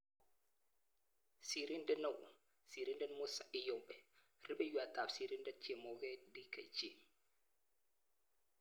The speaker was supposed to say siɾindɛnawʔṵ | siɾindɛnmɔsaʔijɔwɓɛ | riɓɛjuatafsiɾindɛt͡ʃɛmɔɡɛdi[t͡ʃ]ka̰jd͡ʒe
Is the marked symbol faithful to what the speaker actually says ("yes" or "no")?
no